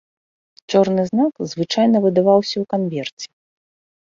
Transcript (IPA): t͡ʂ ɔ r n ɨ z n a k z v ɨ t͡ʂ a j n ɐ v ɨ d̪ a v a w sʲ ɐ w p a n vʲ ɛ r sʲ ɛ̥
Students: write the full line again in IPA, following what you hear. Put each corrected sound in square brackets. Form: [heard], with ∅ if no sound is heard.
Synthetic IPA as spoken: t͡ʂ ɔ r n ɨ z n a k z v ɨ t͡ʂ a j n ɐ v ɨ d̪ a v a w sʲ ɐ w [k] a n vʲ ɛ r [t͡sʲ] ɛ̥